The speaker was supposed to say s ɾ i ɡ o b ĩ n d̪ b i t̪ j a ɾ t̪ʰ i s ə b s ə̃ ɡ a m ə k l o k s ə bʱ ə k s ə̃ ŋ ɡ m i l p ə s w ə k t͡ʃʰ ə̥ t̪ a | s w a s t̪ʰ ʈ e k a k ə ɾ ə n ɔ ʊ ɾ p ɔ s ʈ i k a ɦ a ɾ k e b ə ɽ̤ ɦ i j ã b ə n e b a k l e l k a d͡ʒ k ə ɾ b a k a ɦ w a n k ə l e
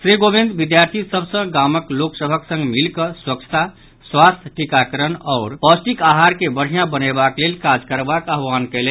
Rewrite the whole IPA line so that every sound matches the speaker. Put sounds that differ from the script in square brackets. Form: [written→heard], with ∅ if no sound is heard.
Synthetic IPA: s ɾ i ɡ o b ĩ n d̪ b i [t̪→d̪] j a ɾ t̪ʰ i s ə b s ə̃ ɡ a m ə k l o k s ə bʱ ə k s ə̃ ŋ ɡ m i l [p→k] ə s w ə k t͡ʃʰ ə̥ t̪ a | s w a s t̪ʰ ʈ [e→i] k a k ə ɾ ə n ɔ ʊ ɾ p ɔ s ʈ i k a ɦ a ɾ k e b ə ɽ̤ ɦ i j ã b ə n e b a k l e l k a d͡ʒ k ə ɾ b a k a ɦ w a n k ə l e